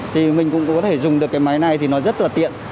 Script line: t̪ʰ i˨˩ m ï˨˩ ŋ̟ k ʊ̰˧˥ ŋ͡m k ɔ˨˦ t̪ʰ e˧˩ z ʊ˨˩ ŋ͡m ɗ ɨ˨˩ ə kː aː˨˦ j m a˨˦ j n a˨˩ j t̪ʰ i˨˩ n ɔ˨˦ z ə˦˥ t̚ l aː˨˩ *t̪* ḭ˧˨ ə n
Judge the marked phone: correct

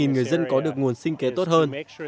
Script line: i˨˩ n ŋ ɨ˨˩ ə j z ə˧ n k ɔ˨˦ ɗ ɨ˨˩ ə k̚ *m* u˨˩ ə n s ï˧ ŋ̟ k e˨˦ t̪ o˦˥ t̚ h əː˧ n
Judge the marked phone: incorrect: ŋ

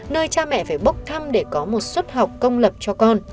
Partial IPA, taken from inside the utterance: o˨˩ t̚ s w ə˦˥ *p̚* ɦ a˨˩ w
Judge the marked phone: incorrect: t̚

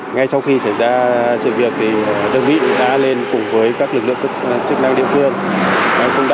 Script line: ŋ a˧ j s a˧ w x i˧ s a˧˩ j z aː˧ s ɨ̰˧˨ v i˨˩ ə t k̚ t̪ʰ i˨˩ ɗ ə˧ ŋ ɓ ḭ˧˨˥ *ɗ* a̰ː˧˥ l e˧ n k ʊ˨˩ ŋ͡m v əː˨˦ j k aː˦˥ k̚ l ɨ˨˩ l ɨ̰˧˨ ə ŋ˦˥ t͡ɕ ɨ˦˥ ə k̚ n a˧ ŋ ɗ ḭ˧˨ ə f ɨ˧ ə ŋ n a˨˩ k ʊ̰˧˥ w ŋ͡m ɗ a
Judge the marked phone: correct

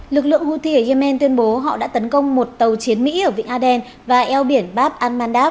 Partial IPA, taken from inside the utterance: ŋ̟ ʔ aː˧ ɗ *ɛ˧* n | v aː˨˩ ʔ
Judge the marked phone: correct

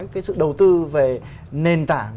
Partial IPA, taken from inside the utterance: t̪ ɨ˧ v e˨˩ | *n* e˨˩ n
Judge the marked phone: correct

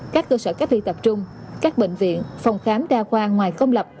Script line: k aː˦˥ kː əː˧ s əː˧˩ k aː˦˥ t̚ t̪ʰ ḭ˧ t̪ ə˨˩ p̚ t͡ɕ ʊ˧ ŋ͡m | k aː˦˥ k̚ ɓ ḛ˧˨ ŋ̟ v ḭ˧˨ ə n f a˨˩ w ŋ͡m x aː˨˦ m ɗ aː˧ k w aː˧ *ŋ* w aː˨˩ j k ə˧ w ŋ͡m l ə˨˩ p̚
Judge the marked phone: correct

